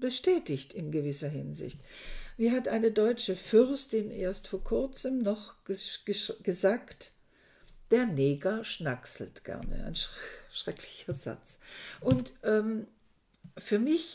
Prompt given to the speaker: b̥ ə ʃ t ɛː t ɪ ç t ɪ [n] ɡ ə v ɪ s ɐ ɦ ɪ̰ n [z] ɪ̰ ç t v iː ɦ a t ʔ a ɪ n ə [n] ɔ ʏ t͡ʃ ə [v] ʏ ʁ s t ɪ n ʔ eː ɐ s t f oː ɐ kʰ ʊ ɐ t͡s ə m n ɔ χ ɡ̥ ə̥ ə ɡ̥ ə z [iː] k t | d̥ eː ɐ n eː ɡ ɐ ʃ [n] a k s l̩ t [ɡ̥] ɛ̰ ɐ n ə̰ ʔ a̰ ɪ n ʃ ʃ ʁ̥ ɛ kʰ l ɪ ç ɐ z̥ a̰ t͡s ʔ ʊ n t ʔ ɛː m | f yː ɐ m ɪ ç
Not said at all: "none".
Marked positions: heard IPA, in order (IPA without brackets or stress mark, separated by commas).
n, z, d, f, aː, n, ɡ̥